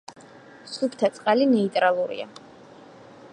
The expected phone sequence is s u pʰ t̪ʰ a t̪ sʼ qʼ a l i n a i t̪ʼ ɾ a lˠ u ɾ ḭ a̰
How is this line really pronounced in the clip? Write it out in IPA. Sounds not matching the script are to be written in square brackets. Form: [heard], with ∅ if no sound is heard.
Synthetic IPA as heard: s u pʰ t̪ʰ a t̪ sʼ qʼ a l i n [ɛ] i t̪ʼ ɾ a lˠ u ɾ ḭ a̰